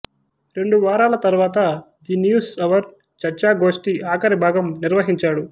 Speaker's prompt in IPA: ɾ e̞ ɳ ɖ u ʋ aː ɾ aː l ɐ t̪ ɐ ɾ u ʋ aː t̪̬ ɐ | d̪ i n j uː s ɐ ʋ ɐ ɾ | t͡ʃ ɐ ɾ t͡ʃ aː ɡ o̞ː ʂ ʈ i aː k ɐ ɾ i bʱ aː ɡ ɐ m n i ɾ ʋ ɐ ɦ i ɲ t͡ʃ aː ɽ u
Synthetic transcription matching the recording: ɾ e̞ ɳ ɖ u ʋ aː ɾ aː l ɐ t̪ ɐ ɾ u ʋ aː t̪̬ ɐ | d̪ i n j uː s ɐ ʋ ɐ ɾ | t͡ʃ ɐ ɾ t͡ʃ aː ɡ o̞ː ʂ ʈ i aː k ɐ ɾ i bʱ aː ɡ ɐ m n i ɾ ʋ ɐ ɦ i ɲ t͡ʃ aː ɽ u